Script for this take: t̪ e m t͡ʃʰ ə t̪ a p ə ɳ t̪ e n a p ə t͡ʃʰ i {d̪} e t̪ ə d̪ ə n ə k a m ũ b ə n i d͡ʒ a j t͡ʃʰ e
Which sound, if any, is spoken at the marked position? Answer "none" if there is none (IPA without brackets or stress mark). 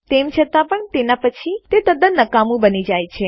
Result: t̪